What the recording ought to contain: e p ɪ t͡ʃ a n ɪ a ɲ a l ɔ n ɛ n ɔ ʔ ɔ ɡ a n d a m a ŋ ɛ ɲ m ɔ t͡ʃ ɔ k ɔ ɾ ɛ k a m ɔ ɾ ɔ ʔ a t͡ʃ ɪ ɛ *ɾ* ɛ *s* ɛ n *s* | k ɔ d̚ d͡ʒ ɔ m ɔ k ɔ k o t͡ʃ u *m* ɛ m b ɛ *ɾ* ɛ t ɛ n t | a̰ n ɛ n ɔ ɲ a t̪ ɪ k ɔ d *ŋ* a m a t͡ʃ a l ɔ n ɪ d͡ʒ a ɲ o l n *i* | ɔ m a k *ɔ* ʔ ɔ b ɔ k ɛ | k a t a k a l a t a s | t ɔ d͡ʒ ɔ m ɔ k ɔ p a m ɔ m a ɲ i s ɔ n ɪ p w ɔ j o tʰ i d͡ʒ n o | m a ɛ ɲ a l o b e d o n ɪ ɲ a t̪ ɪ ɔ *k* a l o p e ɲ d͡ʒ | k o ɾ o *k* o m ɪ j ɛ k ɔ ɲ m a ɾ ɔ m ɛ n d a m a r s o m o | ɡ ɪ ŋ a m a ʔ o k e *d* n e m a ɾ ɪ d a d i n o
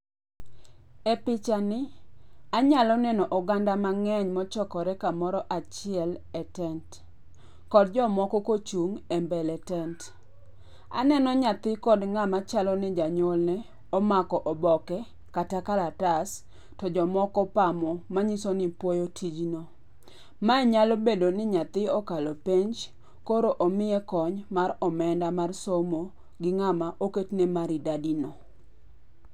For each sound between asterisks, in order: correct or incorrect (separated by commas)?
incorrect, incorrect, incorrect, incorrect, incorrect, correct, incorrect, correct, correct, incorrect, incorrect